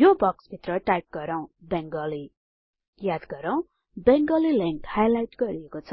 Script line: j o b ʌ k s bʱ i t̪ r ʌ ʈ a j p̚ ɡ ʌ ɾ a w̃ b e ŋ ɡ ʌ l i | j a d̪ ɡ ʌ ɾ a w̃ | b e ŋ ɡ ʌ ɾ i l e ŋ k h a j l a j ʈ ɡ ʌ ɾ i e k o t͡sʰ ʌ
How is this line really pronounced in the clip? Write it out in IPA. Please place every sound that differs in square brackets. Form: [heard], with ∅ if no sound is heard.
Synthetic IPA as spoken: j o b ʌ k s bʱ i t̪ r ʌ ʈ a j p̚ ɡ ʌ ɾ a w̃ b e ŋ ɡ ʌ l i | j a d̪ ɡ ʌ ɾ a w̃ | b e ŋ ɡ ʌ [l] i l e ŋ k h a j l a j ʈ ɡ ʌ ɾ i e k o t͡sʰ ʌ